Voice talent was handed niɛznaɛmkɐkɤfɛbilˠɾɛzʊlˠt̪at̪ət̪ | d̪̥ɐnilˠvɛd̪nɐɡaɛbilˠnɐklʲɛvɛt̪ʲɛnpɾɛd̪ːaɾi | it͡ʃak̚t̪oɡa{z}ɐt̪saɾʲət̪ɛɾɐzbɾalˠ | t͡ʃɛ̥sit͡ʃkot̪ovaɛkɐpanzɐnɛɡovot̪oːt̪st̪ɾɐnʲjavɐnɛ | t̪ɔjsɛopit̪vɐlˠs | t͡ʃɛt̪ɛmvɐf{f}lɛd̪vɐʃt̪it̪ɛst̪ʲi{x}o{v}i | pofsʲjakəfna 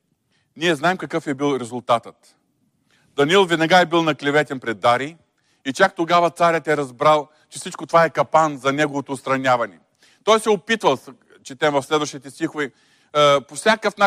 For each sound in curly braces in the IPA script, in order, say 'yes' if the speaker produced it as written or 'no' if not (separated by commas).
no, no, yes, yes